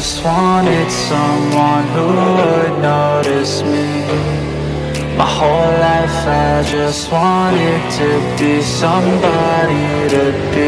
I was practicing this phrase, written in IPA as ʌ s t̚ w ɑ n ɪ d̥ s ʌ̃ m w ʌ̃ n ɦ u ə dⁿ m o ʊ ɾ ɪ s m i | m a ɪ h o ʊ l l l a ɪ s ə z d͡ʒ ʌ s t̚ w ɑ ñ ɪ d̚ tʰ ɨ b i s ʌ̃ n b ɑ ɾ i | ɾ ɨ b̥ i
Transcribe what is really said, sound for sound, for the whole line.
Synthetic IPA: ʌ s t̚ w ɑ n ɪ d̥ s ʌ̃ m w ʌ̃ n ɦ u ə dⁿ n o ʊ ɾ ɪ s m i | m a ɪ h o ʊ l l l a ɪ f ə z d͡ʒ ʌ s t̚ w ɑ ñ ɪ d̚ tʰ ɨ b i s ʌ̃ m b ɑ ɾ i | ɾ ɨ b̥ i